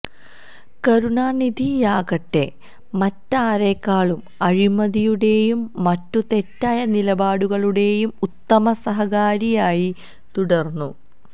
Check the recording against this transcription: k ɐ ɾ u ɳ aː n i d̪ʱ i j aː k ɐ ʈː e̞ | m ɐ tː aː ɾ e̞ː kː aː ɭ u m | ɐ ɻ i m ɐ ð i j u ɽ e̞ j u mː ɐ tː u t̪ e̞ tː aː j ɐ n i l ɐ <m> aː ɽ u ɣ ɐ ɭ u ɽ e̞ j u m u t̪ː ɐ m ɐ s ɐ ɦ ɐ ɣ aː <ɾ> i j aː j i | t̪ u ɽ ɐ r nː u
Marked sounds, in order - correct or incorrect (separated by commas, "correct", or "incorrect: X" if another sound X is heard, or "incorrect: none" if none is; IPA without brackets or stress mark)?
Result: incorrect: b, correct